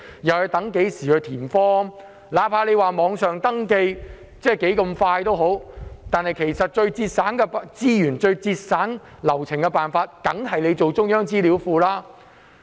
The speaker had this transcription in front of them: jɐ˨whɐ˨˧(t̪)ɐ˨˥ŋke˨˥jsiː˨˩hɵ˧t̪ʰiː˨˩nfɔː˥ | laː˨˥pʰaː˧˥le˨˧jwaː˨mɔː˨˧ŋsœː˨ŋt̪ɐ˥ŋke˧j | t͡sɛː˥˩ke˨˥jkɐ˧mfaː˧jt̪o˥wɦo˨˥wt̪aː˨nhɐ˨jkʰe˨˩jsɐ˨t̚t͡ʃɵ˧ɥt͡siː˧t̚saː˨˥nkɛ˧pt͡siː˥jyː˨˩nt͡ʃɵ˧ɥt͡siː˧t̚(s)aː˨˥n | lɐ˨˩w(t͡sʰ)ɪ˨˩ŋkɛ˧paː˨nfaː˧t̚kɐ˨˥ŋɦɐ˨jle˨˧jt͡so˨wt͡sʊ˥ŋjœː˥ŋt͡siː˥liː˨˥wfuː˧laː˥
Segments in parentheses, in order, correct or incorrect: correct, correct, correct

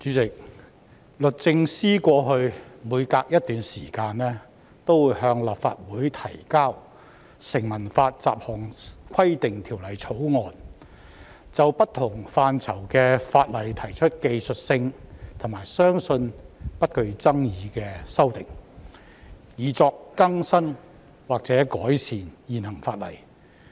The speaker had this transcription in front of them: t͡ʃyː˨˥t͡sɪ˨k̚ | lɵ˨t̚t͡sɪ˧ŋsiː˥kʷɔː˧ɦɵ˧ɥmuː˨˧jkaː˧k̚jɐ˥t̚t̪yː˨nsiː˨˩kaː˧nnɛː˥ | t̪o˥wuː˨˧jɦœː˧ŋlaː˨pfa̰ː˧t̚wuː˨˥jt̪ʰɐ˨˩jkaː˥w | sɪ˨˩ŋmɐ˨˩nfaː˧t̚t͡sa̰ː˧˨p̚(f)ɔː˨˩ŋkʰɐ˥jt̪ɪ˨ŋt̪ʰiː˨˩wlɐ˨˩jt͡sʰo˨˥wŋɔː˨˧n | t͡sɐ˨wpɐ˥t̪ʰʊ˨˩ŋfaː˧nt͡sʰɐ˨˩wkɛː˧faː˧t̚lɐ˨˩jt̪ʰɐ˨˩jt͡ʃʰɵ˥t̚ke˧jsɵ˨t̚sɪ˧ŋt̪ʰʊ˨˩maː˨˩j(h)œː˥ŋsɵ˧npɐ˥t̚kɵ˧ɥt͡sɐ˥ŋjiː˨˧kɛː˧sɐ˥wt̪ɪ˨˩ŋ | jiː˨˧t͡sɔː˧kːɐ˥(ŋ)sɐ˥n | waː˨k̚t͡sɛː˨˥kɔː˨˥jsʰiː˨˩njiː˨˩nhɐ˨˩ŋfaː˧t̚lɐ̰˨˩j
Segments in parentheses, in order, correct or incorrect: incorrect: h, incorrect: s, correct

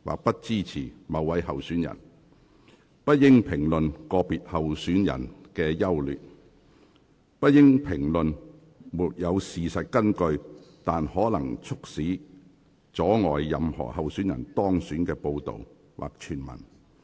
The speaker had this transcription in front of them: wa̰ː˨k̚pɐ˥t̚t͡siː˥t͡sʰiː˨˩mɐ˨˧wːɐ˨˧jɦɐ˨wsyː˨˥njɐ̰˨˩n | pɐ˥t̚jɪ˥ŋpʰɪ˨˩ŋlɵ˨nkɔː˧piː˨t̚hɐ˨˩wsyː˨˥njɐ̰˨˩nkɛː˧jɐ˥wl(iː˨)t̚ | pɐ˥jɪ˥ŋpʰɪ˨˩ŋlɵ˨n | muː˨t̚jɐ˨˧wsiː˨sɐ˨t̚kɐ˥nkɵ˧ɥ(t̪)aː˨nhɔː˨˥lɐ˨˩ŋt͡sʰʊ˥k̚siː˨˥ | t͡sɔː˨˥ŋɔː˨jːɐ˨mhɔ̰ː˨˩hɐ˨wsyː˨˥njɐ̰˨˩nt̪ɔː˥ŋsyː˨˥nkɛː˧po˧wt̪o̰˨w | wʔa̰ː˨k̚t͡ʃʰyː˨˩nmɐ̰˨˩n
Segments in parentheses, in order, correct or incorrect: incorrect: yː˨, correct

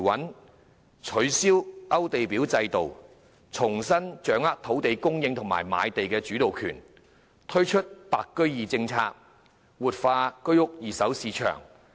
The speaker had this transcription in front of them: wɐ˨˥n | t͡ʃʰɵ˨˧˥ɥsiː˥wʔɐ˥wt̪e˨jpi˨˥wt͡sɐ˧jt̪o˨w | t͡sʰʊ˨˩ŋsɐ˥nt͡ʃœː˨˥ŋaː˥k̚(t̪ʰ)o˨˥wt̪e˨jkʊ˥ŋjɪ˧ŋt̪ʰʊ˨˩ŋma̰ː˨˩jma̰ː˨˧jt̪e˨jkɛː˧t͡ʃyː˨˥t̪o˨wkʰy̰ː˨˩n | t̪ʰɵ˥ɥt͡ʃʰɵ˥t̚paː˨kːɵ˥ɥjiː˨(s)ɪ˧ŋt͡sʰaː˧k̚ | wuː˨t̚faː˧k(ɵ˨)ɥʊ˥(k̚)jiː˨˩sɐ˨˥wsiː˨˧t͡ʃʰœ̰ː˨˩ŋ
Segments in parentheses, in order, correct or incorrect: correct, incorrect: t͡s, incorrect: ɵ˥, correct

